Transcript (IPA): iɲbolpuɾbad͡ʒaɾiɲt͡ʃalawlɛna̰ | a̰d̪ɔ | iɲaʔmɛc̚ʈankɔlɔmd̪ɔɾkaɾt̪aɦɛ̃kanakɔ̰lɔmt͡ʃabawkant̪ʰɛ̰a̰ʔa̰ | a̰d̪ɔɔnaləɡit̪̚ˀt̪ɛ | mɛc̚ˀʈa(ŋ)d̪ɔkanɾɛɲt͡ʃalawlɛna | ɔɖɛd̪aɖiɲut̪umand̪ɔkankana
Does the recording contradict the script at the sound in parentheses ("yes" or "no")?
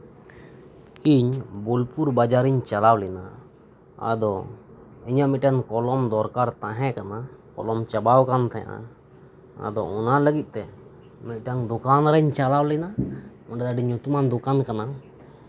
no